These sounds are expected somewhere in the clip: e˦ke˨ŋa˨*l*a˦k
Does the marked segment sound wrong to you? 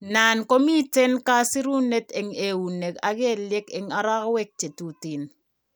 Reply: yes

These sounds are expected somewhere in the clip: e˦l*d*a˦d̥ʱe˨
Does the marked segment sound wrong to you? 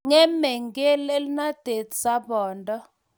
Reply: yes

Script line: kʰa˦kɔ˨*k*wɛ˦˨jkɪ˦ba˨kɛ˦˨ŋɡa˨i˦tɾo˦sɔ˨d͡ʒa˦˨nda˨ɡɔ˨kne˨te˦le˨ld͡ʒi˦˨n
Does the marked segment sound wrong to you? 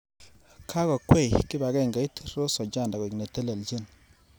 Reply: no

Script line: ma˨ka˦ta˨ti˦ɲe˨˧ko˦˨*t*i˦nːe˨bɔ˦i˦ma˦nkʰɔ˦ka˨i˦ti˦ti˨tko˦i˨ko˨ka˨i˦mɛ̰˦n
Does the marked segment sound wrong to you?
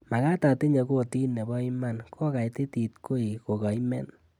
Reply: no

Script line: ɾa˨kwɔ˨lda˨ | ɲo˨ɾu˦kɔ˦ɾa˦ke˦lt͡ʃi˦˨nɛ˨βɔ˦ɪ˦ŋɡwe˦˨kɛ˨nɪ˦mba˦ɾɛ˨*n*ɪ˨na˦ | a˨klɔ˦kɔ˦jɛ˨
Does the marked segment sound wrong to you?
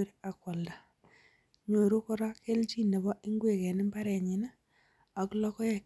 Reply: yes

